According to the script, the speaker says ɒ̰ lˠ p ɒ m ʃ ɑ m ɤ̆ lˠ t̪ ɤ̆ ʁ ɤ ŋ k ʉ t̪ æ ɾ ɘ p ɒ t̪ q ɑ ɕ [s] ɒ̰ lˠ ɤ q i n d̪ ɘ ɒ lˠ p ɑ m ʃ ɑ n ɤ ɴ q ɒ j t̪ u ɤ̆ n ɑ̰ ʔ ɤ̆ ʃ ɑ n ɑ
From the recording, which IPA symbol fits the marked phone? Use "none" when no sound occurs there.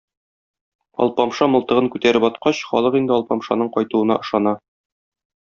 χ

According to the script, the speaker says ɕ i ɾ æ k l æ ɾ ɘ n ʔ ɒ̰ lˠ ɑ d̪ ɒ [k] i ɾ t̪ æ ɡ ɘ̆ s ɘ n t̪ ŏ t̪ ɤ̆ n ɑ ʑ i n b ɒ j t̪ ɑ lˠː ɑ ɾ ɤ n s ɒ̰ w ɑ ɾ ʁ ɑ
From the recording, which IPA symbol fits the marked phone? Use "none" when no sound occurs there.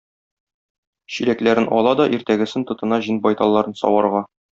ʔ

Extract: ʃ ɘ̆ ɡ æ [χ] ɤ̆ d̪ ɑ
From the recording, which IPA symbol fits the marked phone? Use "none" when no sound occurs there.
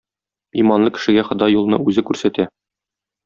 χ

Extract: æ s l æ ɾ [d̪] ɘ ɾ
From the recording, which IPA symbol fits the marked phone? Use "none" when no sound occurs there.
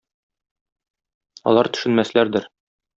d̪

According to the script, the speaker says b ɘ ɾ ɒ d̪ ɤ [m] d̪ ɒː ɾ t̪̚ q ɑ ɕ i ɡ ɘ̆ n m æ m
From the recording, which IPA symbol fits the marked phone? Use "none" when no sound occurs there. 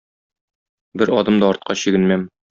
m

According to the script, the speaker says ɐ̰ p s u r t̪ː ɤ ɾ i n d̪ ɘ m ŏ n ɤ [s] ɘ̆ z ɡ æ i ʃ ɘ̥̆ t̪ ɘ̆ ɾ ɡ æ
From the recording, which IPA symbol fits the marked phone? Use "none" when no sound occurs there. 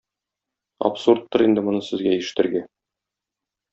s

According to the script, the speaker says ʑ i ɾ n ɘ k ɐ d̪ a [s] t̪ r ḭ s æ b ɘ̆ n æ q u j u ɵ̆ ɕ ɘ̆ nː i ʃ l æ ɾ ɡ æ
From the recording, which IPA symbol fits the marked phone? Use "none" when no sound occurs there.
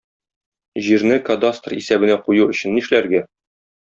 s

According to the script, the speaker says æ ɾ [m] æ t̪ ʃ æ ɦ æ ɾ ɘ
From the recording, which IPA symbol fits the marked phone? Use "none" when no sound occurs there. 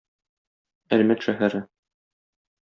m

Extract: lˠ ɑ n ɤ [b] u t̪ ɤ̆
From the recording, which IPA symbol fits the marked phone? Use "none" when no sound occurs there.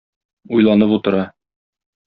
p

